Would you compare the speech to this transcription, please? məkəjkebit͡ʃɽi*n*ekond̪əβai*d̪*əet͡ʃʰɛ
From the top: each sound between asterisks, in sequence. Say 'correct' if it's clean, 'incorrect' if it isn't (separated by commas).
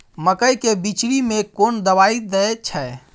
incorrect, correct